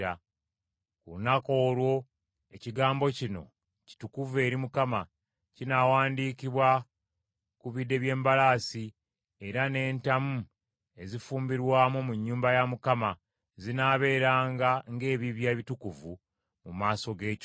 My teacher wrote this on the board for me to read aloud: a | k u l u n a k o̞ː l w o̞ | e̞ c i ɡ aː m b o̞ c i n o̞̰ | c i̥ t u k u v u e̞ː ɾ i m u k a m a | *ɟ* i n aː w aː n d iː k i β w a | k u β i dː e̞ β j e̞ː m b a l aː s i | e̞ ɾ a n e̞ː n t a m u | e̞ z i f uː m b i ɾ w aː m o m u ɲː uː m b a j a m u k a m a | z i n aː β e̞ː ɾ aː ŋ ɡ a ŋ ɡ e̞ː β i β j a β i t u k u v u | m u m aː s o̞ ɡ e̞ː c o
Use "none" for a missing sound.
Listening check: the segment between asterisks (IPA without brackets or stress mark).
c